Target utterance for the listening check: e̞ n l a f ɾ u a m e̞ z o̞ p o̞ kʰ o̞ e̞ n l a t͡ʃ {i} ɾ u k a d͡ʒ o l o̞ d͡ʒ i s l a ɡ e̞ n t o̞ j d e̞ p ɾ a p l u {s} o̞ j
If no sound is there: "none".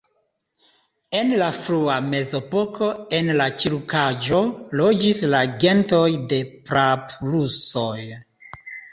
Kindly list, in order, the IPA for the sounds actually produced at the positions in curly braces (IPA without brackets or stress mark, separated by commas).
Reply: i, s